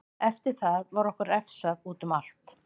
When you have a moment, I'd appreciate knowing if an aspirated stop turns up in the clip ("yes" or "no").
no